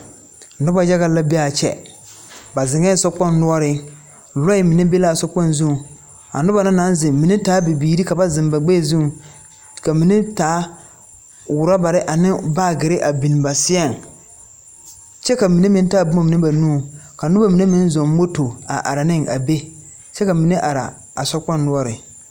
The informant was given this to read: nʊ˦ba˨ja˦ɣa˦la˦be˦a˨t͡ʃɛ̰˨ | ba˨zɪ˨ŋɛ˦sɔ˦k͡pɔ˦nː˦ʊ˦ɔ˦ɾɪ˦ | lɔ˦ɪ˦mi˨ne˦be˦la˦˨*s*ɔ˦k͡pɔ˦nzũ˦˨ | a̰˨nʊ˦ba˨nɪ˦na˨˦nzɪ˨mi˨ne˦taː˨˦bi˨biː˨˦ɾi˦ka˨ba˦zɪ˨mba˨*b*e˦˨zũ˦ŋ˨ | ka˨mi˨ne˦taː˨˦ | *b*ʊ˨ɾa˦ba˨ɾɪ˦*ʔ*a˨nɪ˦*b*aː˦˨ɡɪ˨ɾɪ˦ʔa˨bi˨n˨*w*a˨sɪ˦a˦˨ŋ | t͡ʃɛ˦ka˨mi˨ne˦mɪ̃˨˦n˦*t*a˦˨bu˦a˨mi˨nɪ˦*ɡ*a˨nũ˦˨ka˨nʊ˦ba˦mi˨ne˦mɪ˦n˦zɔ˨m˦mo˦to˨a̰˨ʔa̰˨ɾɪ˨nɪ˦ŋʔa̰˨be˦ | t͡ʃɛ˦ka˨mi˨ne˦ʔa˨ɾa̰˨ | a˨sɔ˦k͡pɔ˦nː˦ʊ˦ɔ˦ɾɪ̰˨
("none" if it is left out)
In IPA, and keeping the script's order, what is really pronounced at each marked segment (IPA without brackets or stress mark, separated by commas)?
s, ɡ͡b, w, ʔ, b, b, t, b